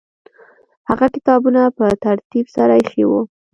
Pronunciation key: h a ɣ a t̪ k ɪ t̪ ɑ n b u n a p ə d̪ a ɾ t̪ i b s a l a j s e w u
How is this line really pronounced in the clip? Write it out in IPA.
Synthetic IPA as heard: h a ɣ a k ɪ t̪ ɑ b u n a p ə t̪ a ɾ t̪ i b s a ɾ a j x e w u